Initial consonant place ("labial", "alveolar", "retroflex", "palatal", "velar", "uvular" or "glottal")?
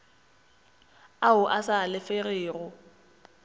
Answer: glottal